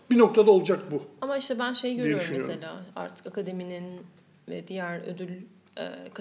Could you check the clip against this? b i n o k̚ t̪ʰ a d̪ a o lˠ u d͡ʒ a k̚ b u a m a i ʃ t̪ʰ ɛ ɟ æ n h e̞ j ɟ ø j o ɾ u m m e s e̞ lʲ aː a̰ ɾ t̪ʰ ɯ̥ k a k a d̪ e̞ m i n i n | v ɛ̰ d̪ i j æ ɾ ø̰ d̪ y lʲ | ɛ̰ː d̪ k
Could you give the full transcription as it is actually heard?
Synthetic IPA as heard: b i n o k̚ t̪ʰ a d̪ a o lˠ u d͡ʒ a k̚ b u a m a i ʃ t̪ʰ ɛ b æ n ʃ e̞ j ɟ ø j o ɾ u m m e s e̞ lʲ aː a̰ ɾ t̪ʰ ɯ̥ k a k a d̪ e̞ m i n i n | v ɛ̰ d̪ i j æ ɾ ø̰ d̪ y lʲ | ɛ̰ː k